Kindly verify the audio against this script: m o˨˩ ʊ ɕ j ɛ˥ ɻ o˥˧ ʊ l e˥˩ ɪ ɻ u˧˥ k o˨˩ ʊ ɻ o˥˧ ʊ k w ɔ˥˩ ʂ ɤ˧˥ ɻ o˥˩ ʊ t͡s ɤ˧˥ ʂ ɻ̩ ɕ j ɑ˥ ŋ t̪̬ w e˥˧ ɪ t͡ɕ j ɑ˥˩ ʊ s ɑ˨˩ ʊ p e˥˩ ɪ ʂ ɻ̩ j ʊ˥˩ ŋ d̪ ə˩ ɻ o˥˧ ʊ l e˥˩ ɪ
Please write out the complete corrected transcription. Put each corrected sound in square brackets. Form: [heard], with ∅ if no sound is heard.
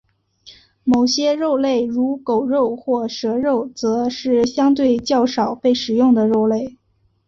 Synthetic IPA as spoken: m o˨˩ ʊ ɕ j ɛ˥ ɻ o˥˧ ʊ l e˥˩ ɪ ɻ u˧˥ k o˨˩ ʊ ɻ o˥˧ ʊ [x] w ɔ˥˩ ʂ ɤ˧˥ ɻ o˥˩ ʊ t͡s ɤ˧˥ ʂ ɻ̩ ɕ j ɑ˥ ŋ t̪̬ w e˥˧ ɪ t͡ɕ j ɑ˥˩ ʊ [ʂ] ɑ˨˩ ʊ p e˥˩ ɪ ʂ ɻ̩ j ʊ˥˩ ŋ d̪ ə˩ ɻ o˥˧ ʊ l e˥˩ ɪ